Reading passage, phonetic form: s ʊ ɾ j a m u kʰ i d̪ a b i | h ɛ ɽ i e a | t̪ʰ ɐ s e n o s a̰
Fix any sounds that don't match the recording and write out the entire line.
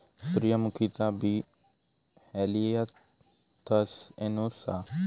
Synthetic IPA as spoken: s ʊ ɾ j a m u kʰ i t̪ a b i | h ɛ l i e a | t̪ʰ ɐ s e n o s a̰

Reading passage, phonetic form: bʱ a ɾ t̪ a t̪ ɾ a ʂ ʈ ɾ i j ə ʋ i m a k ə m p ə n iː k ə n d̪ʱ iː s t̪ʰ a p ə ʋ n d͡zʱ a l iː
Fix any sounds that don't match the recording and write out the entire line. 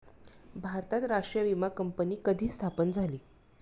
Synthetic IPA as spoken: bʱ a ɾ t̪ a t̪ ɾ a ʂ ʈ ɾ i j ə ʋ i m a k ə m p ə n iː k ə d̪ʱ iː s t̪ʰ a p ə n d͡zʱ a l iː

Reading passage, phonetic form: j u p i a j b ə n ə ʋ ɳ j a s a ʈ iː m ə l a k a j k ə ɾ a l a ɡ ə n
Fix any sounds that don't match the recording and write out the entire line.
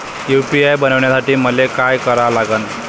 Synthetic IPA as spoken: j u p i a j b ə n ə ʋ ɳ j a s a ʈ iː m ə l e k a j k ə ɾ a l a ɡ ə n

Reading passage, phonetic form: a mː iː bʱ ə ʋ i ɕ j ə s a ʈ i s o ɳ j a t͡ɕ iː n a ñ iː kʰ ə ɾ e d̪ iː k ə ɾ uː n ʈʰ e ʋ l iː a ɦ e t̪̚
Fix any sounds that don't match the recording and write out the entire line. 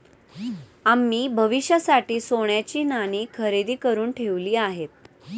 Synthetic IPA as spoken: a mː iː bʱ ə ʋ i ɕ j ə s a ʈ iː s o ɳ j a t͡ɕ iː n a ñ iː kʰ ə ɾ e d̪ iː k ə ɾ uː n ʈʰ e ʋ l iː a ɦ e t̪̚

